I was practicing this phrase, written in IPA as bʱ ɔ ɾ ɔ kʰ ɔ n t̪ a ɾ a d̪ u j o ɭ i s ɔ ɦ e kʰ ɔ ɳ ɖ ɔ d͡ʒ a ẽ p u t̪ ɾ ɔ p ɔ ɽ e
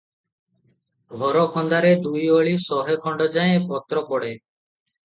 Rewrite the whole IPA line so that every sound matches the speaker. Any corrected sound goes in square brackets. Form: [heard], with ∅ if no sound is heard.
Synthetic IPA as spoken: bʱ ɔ ɾ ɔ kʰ ɔ n [d̪] a ɾ [e] d̪ u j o ɭ i s ɔ ɦ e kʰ ɔ ɳ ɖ ɔ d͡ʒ a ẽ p [ɔ] t̪ ɾ ɔ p ɔ ɽ e